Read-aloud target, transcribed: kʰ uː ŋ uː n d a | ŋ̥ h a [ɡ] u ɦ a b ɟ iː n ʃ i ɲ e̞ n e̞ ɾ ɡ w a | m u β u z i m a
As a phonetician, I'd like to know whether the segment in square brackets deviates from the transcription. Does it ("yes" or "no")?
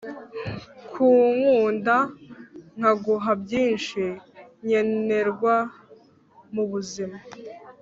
no